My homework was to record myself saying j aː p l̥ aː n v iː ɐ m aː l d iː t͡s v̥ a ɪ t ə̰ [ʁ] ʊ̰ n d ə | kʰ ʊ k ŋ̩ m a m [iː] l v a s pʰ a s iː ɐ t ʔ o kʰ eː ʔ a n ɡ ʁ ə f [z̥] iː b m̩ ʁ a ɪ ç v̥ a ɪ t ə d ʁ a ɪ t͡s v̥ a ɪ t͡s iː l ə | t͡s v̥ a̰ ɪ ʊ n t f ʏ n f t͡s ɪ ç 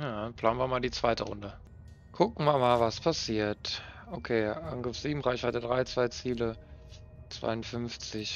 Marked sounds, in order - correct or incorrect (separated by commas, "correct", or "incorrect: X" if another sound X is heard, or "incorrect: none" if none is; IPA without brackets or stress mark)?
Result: correct, incorrect: aː, correct